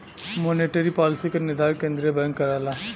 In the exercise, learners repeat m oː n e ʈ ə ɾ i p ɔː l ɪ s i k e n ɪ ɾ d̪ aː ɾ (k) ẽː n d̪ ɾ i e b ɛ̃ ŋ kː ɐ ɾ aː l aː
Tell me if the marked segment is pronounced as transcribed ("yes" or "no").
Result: yes